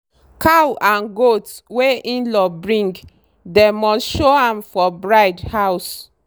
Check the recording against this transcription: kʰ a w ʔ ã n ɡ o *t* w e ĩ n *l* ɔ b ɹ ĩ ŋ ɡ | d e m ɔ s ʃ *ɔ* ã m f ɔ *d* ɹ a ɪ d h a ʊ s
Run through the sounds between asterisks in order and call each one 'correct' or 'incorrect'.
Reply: correct, correct, incorrect: o, incorrect: b

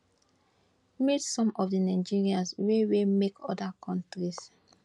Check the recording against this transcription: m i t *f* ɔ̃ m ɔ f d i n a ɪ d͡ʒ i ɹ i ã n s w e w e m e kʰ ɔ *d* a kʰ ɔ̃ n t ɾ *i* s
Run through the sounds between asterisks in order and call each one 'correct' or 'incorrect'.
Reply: incorrect: s, correct, correct

